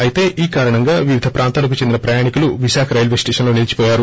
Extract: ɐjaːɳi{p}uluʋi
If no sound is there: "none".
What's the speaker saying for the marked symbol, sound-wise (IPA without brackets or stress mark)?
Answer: k